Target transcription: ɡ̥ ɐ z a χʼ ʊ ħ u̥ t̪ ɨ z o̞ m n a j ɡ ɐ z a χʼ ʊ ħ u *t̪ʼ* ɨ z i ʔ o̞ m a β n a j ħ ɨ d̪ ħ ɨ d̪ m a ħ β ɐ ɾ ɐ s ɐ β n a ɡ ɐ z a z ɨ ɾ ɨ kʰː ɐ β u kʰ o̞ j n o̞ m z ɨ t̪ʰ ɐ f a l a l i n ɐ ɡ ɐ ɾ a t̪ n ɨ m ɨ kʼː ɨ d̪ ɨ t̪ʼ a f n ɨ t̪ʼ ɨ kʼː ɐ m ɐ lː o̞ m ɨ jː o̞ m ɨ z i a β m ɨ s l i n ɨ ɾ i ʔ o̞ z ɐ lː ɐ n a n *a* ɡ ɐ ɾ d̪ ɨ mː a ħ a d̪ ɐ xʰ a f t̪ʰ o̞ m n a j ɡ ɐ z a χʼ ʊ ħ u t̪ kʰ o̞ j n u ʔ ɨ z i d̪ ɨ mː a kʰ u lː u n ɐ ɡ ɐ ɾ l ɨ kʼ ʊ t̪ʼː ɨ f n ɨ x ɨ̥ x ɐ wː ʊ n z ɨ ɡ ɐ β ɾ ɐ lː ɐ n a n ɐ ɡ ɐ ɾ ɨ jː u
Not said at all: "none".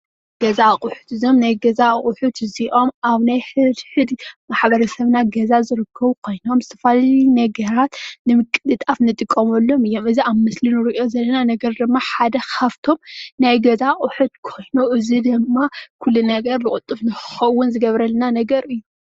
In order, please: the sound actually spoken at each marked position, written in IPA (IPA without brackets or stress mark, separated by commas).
t̪, ɐ